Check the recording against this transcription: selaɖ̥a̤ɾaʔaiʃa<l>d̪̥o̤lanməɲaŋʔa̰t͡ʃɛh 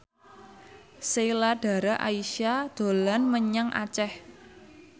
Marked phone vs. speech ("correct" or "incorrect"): incorrect